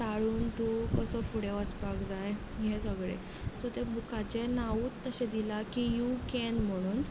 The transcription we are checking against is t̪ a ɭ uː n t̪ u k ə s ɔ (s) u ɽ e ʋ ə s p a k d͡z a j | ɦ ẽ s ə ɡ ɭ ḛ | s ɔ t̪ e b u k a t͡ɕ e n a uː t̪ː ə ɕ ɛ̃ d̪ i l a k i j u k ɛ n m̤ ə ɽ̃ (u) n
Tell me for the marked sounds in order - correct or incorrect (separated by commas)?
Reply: incorrect, incorrect